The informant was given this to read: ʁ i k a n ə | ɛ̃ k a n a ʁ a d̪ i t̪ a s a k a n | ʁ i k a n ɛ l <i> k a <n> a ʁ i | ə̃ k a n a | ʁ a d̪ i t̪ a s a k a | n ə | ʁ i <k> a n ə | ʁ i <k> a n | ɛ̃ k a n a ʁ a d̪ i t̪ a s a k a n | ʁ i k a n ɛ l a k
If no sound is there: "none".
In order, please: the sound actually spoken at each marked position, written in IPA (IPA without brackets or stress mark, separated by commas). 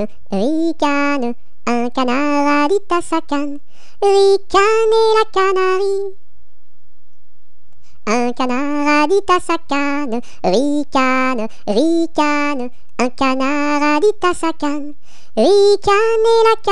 a, n, k, k